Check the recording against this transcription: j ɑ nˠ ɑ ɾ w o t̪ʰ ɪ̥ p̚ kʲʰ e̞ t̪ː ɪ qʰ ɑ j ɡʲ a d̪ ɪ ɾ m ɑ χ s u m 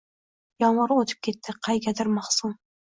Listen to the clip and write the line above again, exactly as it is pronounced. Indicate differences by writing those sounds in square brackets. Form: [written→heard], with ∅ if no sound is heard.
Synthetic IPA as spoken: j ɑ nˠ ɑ ɾ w o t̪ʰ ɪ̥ p̚ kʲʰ e̞ t̪ː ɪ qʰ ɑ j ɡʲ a d̪ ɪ ɾ m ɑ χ s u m